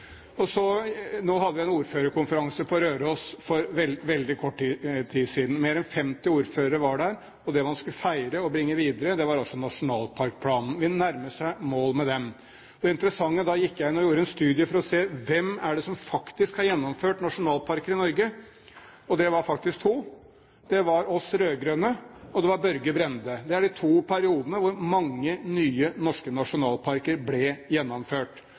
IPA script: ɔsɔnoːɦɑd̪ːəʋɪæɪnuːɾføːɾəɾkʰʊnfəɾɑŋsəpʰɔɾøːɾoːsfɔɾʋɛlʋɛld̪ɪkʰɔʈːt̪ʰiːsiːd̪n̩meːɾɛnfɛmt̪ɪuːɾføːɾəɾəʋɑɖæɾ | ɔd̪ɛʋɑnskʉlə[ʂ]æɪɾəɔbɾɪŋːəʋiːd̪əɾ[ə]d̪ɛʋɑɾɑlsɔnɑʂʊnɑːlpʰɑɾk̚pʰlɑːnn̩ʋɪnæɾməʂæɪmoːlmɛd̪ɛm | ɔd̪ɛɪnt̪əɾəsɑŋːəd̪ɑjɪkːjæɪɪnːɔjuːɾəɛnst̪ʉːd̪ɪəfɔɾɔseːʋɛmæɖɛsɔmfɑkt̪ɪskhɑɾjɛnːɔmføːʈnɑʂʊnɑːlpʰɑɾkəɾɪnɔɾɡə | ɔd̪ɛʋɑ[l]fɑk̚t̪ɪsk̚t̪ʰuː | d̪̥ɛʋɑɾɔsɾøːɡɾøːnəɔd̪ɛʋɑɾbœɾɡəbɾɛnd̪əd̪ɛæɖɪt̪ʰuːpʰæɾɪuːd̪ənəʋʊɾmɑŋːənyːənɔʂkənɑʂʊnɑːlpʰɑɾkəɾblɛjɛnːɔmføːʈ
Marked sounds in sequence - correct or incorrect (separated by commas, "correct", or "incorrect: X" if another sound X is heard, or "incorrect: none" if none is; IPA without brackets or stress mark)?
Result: incorrect: f, correct, incorrect: ɾ